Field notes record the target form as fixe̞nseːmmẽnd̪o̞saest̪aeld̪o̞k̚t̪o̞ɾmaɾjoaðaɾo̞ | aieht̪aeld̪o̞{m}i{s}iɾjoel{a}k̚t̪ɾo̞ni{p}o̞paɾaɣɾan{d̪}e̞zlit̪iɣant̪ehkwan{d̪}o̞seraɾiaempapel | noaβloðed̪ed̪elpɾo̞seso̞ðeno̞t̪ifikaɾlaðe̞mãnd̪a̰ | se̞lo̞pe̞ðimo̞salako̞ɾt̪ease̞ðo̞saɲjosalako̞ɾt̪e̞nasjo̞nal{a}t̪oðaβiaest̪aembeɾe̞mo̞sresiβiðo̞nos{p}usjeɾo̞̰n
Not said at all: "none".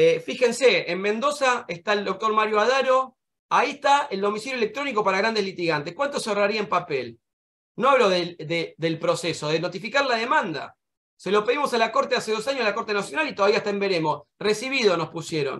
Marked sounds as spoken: m, s, e, k, d̪, t̪, i, p

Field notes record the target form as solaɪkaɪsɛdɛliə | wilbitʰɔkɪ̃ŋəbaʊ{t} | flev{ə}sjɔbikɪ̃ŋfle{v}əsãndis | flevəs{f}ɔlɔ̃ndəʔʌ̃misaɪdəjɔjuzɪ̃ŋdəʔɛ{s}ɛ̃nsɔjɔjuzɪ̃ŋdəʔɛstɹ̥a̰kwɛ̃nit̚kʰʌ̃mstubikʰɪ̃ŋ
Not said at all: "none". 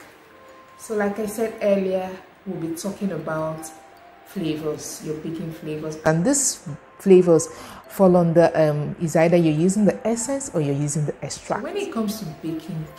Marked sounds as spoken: t, ə, v, f, s

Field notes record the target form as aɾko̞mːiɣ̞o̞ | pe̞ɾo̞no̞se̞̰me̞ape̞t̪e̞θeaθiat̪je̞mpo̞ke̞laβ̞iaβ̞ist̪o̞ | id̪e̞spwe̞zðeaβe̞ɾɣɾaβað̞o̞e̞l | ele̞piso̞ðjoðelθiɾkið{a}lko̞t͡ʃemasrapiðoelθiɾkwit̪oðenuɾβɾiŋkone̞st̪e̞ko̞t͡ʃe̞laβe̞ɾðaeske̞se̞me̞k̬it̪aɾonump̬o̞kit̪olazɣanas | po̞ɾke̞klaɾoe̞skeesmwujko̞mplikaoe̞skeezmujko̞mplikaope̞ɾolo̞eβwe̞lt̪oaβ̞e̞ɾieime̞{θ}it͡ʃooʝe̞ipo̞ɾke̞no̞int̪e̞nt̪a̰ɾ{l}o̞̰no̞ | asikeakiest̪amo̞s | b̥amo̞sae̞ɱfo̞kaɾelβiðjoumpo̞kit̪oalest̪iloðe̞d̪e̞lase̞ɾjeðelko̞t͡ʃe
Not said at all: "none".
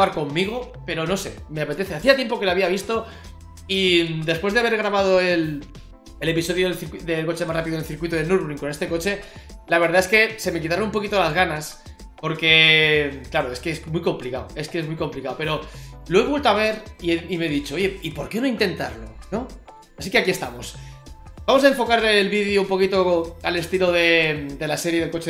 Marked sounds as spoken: e, ð, l

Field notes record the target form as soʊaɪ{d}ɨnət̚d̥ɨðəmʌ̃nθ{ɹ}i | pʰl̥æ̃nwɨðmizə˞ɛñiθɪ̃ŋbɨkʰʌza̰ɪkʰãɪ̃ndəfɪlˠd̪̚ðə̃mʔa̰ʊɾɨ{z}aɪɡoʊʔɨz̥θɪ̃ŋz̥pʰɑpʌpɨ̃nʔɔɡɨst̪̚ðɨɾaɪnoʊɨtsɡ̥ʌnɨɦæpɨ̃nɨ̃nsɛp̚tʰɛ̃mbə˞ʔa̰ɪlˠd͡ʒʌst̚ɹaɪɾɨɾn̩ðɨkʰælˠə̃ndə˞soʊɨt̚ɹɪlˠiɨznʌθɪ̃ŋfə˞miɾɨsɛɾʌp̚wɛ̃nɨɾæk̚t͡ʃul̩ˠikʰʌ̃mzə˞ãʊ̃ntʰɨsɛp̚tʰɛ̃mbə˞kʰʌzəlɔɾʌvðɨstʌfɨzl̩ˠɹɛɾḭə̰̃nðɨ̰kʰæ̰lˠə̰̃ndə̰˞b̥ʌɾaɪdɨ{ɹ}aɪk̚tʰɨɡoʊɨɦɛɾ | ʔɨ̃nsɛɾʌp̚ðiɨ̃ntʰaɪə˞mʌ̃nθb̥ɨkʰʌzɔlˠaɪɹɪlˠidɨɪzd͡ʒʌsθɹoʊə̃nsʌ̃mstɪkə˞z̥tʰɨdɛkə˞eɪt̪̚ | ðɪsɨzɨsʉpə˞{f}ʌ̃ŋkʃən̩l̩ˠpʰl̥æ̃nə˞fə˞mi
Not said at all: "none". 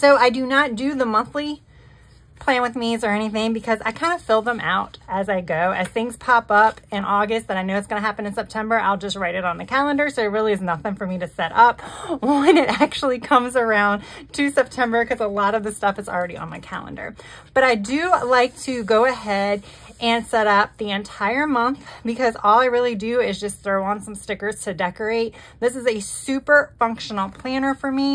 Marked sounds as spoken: d, l, z, l, f

